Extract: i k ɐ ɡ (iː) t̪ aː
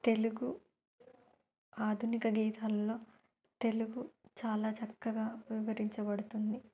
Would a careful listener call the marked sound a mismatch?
no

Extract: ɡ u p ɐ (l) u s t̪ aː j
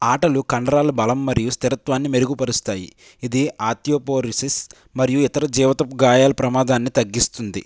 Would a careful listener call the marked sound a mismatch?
yes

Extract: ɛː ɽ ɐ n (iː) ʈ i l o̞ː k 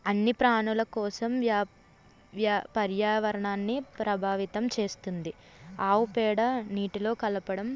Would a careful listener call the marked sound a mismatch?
no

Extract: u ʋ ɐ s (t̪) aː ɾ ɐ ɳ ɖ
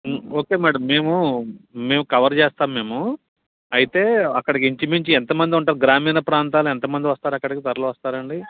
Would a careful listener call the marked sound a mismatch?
no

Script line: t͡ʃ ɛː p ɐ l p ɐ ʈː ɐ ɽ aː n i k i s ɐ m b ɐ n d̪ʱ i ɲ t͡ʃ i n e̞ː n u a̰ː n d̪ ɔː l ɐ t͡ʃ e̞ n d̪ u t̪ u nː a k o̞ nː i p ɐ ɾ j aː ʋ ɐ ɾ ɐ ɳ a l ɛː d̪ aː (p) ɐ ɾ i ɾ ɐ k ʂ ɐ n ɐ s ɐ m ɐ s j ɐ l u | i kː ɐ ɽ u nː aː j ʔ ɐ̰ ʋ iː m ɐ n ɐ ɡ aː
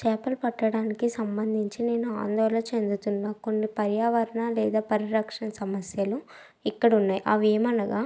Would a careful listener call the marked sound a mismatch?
no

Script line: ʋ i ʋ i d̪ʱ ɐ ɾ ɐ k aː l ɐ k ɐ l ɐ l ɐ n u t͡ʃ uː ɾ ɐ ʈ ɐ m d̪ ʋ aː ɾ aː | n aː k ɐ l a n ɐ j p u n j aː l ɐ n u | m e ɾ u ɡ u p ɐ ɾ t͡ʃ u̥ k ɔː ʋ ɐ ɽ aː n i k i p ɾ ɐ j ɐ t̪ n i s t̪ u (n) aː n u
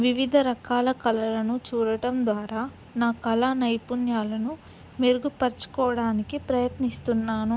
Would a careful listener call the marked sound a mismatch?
yes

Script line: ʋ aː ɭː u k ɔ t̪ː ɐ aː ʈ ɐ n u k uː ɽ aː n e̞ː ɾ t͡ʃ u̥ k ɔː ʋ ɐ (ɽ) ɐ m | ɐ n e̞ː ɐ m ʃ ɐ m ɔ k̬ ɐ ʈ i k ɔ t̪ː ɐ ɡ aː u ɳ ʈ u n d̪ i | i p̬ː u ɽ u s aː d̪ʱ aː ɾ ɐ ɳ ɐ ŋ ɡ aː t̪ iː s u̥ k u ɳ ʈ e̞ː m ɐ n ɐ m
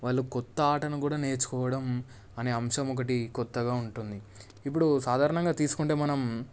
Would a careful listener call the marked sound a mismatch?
no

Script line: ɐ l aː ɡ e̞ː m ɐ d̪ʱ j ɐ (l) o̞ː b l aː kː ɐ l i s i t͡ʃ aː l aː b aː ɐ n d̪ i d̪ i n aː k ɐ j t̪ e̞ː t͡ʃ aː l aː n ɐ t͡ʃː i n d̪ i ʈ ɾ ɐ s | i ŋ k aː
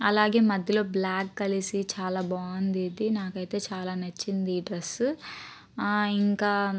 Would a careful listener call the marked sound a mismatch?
no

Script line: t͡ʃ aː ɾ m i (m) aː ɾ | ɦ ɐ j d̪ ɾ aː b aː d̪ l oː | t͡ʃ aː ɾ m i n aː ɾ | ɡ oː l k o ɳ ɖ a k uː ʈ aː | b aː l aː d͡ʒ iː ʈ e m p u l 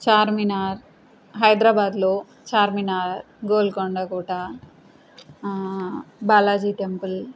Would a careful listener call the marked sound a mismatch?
yes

